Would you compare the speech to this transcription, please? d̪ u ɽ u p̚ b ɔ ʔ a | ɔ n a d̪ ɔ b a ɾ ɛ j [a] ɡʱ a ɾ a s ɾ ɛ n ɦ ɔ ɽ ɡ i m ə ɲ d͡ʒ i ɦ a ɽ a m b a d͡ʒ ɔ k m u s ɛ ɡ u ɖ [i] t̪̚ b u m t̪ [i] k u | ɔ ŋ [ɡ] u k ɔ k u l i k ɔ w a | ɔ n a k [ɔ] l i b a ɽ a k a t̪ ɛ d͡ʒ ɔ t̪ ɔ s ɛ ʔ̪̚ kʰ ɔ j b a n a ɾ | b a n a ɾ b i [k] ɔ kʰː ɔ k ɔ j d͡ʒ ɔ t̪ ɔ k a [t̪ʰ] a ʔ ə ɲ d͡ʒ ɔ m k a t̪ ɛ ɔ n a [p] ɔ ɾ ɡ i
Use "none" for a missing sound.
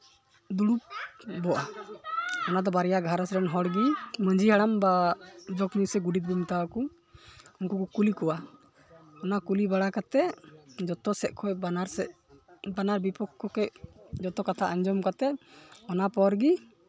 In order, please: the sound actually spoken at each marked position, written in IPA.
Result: a, i, a, k, u, p, t̪ʰ, p

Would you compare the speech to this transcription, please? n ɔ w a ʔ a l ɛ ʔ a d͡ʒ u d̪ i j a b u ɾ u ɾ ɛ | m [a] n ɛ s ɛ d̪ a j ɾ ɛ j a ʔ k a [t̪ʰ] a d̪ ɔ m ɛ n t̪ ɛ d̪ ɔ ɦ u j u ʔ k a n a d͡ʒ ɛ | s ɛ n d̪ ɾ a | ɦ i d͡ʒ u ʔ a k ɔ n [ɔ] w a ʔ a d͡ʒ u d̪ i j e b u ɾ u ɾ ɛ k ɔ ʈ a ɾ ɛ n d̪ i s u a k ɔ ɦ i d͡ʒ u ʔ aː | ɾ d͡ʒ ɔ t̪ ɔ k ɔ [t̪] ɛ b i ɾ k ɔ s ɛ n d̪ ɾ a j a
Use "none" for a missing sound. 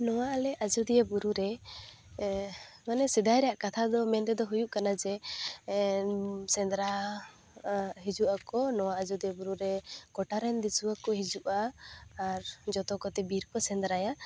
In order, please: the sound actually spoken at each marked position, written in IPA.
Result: a, t̪ʰ, ɔ, t̪

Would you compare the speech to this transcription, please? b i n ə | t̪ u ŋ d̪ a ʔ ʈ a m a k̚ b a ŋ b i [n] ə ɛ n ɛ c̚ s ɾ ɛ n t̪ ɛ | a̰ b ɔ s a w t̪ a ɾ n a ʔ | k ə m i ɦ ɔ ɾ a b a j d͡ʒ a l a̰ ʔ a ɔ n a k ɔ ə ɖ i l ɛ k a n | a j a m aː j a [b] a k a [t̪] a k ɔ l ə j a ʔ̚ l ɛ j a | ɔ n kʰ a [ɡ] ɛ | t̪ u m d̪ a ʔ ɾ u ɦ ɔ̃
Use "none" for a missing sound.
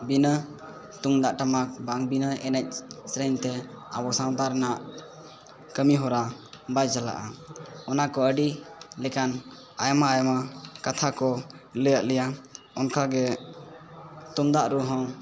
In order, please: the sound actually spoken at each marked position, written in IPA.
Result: n, m, t̪ʰ, ɡ

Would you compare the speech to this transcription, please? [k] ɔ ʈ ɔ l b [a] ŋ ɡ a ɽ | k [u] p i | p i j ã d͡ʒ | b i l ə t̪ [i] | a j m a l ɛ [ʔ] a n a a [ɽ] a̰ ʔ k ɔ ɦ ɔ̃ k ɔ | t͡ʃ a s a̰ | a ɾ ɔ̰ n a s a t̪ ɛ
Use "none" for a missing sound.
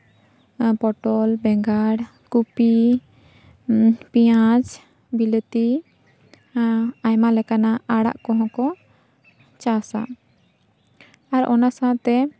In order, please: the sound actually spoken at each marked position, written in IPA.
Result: p, ɛ, u, i, k, ɽ

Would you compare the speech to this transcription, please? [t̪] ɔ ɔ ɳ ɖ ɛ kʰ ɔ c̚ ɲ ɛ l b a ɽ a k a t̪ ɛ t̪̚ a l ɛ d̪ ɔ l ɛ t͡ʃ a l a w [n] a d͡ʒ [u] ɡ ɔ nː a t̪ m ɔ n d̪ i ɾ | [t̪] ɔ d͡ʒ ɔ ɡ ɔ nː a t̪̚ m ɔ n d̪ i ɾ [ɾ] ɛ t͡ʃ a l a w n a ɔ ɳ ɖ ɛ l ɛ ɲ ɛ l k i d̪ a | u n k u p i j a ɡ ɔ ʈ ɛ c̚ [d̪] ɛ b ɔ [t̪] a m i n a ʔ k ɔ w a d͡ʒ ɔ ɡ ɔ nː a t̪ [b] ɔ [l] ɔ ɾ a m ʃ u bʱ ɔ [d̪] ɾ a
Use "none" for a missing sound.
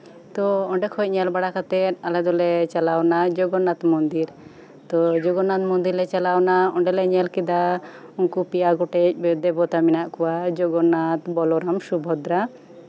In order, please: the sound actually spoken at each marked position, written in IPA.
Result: t̪, n, ɔ, t̪, l, d̪, t̪, b, l, d̪

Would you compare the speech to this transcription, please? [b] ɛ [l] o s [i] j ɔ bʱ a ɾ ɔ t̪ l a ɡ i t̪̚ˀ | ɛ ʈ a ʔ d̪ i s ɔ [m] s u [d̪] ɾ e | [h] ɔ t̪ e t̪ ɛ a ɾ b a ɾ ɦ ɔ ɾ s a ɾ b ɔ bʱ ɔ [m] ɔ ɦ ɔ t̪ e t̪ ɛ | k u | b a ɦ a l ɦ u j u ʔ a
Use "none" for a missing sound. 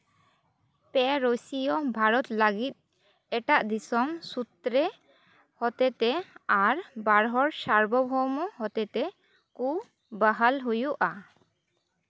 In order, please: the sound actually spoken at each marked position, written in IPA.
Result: p, ɾ, i, m, t̪, h, m

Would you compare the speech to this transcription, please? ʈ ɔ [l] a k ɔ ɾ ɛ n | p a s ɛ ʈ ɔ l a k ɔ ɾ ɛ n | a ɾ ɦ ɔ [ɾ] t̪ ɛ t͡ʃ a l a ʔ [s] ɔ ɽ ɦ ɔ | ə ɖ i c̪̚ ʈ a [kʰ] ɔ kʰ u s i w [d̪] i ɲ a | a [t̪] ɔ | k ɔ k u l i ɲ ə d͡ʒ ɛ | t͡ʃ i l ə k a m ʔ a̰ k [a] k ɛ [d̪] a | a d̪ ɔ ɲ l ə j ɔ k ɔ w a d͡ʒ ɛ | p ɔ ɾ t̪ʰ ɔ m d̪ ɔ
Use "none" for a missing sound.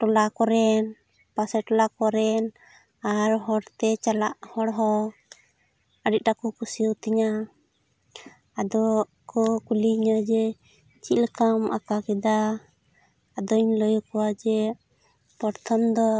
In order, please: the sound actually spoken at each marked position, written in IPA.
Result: l, ɽ, h, k, t̪, d̪, a, d̪

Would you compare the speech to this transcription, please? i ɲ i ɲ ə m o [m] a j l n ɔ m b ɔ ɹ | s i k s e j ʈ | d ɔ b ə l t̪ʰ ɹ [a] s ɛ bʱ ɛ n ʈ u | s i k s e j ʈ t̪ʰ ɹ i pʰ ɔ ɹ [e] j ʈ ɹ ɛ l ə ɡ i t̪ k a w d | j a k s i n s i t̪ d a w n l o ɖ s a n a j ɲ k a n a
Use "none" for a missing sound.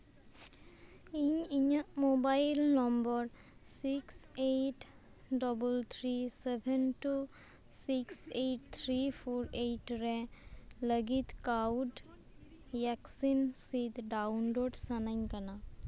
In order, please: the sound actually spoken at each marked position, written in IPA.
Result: b, i, e

